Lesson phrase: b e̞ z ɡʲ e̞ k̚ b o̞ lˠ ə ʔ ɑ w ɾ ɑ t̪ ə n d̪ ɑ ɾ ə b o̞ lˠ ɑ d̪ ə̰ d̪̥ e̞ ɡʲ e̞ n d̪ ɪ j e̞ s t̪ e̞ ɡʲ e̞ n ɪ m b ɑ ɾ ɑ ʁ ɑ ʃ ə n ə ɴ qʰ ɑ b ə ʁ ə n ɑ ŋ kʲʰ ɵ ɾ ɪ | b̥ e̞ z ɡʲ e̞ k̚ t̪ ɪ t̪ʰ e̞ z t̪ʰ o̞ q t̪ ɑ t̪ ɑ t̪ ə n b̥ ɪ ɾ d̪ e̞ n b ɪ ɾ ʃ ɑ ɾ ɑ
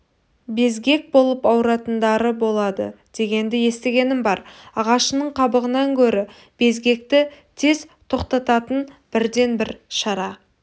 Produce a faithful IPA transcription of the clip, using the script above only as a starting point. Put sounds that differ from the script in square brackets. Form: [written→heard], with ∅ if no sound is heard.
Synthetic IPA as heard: b e̞ z ɡʲ e̞ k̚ b o̞ lˠ ə [ʔ→p] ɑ w ɾ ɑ t̪ ə n d̪ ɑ ɾ ə b o̞ lˠ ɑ d̪ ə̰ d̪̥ e̞ ɡʲ e̞ n d̪ ɪ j e̞ s t̪ e̞ ɡʲ e̞ n ɪ m b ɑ ɾ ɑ ʁ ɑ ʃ ə n ə ɴ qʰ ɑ b ə ʁ ə n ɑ ŋ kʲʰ ɵ ɾ ɪ | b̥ e̞ z ɡʲ e̞ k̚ t̪ ɪ t̪ʰ e̞ z t̪ʰ o̞ q t̪ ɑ t̪ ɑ t̪ ə n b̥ ɪ ɾ d̪ e̞ n b ɪ ɾ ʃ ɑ ɾ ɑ